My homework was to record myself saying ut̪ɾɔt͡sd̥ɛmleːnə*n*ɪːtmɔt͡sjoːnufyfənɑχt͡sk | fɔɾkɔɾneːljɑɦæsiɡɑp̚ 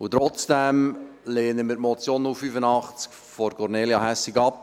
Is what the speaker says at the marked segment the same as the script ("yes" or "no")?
no